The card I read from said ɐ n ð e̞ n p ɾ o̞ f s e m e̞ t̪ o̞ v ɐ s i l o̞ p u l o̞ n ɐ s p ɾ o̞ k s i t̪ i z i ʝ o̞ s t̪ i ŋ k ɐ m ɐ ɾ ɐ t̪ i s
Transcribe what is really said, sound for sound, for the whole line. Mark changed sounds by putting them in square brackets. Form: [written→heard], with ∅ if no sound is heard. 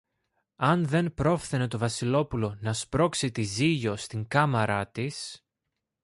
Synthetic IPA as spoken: ɐ n ð e̞ n p ɾ o̞ f [s→θ] e [m→n] e̞ t̪ o̞ v ɐ s i l o̞ p u l o̞ n ɐ s p ɾ o̞ k s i t̪ i z i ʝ o̞ s t̪ i ŋ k ɐ m ɐ ɾ ɐ t̪ i s